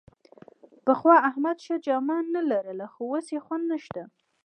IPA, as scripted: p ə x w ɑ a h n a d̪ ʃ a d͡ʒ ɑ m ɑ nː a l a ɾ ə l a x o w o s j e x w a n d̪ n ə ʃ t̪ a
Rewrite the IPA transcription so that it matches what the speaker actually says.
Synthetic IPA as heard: p ə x w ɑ a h m a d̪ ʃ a d͡ʒ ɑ m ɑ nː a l a ɾ ə l a x o w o s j e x w a n d̪ n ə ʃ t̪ a